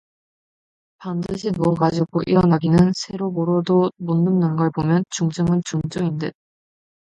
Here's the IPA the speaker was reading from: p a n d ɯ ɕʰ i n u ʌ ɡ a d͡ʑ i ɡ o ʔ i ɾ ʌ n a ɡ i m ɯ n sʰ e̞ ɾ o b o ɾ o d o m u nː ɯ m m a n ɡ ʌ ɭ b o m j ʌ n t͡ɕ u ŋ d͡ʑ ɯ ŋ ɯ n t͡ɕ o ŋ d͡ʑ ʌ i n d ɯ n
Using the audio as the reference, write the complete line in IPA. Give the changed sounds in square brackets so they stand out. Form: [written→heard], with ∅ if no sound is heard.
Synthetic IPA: p a n d ɯ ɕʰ i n u ʌ ɡ a d͡ʑ i ɡ o ʔ i ɾ ʌ n a ɡ i [m→n] ɯ n sʰ e̞ ɾ o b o ɾ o d o m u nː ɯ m [m→n] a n ɡ ʌ ɭ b o m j ʌ n t͡ɕ u ŋ d͡ʑ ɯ ŋ ɯ n t͡ɕ [o→u] ŋ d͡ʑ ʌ i n d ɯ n